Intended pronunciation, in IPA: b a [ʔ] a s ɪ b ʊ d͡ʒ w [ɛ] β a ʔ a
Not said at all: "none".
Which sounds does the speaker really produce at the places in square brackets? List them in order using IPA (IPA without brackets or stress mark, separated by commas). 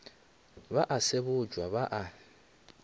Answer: ʔ, a